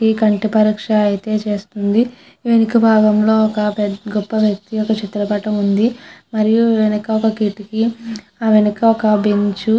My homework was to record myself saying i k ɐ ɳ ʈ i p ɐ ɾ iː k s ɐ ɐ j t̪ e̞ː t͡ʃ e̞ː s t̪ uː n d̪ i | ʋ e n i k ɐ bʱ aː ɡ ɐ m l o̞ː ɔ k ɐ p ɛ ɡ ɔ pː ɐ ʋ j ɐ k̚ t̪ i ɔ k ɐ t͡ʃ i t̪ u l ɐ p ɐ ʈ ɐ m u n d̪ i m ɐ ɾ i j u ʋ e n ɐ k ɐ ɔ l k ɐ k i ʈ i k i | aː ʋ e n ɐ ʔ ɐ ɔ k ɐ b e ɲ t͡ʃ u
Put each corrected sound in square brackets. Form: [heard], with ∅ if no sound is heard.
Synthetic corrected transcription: i k ɐ ɳ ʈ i p ɐ ɾ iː k [ʂ] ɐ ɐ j t̪ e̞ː t͡ʃ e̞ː s t̪ [u] n d̪ i | ʋ e n i k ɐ bʱ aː ɡ ɐ m l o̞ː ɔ k ɐ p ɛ ɡ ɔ pː ɐ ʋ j ɐ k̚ t̪ i ɔ k ɐ t͡ʃ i t̪ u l ɐ p ɐ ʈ ɐ m u n d̪ i m ɐ ɾ i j u ʋ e n ɐ k ɐ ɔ [∅] k ɐ k i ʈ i k i | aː ʋ e n ɐ [k] ɐ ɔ k ɐ b e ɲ t͡ʃ u